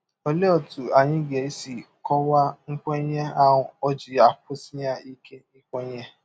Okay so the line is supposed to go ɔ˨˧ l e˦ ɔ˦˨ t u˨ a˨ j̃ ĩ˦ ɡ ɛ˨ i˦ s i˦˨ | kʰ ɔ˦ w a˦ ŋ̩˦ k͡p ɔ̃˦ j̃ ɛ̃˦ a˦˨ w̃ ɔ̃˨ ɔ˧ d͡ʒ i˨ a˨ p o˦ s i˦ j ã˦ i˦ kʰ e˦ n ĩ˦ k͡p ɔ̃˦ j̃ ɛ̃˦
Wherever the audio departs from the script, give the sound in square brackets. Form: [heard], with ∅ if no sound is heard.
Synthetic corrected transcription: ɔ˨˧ l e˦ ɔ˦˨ t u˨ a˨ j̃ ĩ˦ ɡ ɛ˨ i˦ s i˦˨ | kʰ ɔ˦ w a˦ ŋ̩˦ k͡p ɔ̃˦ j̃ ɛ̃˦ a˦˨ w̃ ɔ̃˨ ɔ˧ d͡ʒ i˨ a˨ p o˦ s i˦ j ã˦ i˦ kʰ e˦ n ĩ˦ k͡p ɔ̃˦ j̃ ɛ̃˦